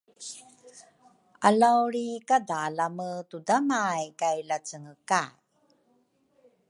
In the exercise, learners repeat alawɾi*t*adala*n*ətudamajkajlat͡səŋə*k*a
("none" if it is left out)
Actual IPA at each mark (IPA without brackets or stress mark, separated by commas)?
k, m, k